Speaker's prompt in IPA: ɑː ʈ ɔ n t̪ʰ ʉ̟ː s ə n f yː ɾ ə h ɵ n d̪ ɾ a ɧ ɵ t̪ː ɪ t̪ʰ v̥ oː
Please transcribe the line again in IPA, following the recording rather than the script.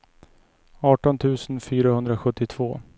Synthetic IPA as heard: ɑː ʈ ɔ n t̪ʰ ʉ̟ː s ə n f yː ɾ a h ɵ n d̪ ɾ a ɧ ɵ t̪ː ɪ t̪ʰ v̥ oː